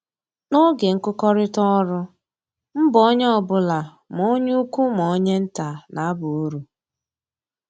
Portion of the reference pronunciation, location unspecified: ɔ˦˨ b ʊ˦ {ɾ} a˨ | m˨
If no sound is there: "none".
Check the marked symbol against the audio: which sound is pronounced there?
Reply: l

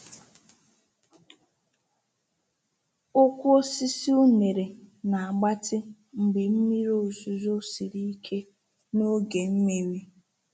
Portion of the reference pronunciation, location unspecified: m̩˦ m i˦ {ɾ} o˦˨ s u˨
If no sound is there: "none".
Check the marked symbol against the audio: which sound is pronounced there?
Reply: ɾ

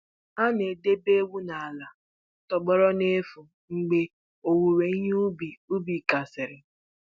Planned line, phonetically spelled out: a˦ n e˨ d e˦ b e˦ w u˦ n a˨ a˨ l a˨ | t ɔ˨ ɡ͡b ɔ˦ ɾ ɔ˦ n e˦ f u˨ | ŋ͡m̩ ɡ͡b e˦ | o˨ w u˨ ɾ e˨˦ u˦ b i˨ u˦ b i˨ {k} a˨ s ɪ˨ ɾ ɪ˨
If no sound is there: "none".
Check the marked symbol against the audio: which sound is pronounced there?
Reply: k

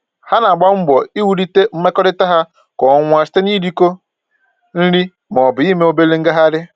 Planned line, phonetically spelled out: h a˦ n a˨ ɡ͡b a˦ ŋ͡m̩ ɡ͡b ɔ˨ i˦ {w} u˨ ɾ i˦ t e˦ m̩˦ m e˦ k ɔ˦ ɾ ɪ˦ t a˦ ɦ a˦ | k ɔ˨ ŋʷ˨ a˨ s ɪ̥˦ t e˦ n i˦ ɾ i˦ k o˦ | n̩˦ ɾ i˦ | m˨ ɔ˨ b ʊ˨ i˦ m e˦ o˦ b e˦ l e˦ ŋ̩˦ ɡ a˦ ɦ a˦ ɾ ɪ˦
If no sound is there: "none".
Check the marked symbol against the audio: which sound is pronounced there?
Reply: w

